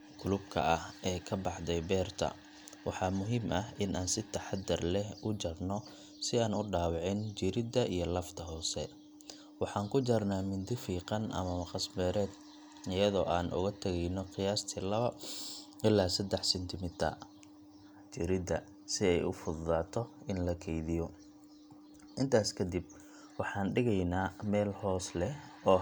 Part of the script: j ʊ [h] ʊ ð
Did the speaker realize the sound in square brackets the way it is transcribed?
no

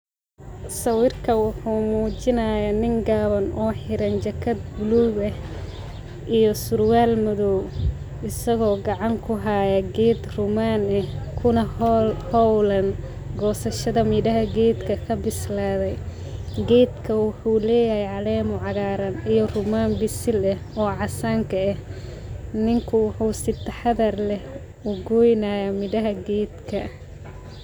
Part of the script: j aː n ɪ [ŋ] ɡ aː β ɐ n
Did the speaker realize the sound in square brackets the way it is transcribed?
yes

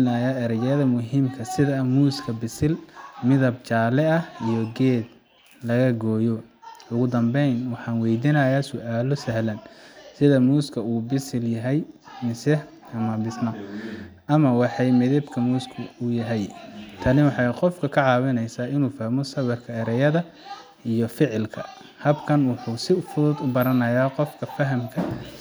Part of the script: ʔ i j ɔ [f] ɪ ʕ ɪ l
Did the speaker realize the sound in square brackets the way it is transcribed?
yes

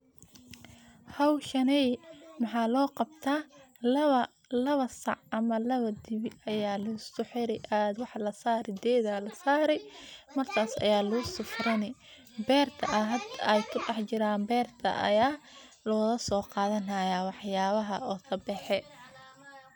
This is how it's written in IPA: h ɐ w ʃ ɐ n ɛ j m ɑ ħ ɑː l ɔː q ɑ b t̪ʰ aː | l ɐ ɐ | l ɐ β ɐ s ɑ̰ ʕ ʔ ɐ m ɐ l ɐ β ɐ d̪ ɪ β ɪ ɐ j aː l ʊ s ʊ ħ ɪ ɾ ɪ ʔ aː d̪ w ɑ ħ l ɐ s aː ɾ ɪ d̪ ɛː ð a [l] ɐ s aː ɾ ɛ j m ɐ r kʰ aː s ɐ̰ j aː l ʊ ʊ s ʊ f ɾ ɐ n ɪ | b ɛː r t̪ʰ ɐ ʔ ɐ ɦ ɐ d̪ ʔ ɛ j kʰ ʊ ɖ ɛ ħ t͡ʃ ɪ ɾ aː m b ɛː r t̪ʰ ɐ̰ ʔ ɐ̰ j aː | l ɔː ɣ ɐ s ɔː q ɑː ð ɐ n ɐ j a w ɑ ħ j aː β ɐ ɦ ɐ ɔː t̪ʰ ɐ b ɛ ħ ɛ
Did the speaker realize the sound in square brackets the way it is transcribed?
yes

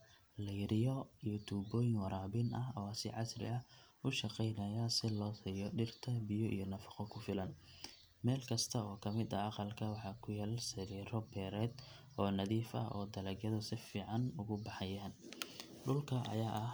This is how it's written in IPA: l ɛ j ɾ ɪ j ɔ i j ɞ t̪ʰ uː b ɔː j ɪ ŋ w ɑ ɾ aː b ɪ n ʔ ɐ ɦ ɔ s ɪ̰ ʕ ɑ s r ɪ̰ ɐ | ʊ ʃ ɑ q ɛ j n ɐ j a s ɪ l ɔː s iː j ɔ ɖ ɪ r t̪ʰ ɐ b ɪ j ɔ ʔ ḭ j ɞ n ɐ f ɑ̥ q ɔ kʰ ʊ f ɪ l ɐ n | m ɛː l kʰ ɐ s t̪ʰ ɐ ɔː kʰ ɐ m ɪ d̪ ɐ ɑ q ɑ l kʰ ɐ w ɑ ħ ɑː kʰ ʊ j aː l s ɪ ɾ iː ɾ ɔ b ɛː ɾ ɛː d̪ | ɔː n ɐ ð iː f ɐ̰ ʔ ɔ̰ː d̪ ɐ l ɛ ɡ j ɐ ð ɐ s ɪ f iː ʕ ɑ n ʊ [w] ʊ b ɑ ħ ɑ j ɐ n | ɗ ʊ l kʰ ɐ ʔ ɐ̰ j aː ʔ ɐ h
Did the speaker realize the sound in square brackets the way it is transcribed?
no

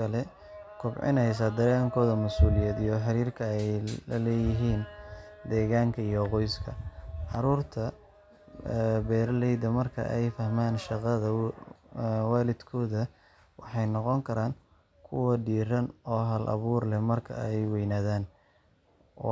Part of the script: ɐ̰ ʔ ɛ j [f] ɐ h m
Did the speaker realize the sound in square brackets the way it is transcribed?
yes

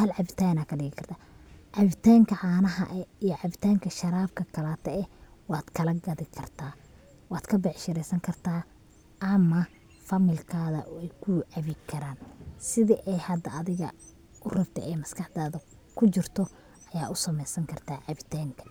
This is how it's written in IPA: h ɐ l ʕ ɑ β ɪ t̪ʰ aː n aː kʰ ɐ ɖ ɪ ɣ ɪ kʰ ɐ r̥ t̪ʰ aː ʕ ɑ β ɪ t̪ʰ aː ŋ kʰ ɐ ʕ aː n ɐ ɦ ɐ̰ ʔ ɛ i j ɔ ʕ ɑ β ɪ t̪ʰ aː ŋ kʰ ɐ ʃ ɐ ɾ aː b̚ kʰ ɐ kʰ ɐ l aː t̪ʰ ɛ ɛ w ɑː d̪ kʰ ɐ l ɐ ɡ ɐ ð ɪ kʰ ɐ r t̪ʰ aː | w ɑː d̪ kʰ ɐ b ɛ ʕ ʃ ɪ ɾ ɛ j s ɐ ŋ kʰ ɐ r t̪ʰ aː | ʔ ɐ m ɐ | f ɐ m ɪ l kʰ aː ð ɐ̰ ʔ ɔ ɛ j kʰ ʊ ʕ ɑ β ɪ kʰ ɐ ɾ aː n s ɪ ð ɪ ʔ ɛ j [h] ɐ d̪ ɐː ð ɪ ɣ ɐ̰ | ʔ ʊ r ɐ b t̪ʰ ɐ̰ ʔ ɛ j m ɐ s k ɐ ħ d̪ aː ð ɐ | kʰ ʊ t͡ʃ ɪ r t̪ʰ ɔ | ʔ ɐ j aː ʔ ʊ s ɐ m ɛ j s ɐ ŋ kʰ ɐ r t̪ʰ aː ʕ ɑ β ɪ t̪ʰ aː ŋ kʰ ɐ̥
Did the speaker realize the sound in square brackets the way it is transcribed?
yes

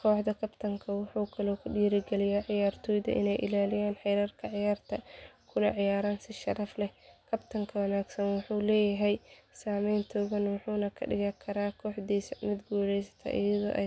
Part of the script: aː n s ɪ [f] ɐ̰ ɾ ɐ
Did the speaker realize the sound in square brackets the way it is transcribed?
no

